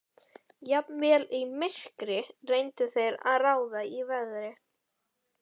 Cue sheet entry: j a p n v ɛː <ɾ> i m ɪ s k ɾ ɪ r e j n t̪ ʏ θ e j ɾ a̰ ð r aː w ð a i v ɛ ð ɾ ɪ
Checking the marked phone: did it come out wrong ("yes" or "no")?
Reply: yes